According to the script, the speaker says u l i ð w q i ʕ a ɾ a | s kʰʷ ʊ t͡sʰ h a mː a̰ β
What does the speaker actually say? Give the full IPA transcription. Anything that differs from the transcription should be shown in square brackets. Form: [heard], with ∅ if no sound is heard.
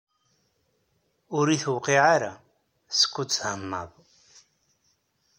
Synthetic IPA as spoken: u [ɾ] i [θ] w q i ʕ a ɾ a | s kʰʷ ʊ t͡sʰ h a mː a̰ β